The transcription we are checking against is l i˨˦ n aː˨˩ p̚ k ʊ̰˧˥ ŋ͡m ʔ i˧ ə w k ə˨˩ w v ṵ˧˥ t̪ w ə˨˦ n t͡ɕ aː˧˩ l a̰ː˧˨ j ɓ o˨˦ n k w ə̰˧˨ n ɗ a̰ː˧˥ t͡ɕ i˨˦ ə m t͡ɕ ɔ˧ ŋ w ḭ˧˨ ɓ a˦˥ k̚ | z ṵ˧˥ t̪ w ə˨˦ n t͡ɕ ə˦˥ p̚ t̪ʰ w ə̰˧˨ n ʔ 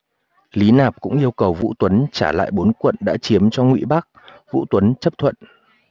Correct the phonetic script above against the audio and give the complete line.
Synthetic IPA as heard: l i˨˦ n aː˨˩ p̚ k ʊ̰˧˥ ŋ͡m ʔ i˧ ə w k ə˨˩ w v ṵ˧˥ t̪ w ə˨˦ n t͡ɕ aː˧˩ l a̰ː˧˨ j ɓ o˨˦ n k w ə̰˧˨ n ɗ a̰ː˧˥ t͡ɕ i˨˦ ə m t͡ɕ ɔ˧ ŋ w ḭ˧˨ ɓ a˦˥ k̚ | v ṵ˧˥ t̪ w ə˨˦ n t͡ɕ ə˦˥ p̚ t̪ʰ w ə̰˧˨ n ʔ